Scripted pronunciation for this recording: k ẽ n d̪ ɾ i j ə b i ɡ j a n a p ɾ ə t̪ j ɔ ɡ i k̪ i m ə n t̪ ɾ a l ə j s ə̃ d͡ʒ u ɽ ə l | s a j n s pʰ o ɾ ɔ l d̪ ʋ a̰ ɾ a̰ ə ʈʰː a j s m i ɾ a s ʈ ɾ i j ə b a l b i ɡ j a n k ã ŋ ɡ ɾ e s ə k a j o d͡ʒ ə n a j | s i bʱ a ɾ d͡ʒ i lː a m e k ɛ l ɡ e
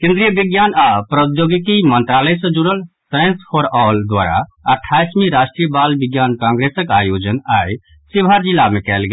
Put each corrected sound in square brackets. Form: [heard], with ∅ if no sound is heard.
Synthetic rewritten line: k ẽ n d̪ ɾ i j ə b i ɡ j a n a p ɾ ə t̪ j [o] ɡ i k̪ i m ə n t̪ ɾ a l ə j s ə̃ d͡ʒ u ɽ ə l | s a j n s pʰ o ɾ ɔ l d̪ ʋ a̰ ɾ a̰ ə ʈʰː a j s m i ɾ a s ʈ ɾ i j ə b a l b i ɡ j a n k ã ŋ ɡ ɾ e s ə k a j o d͡ʒ ə n a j | s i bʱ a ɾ d͡ʒ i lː a m e k ɛ l ɡ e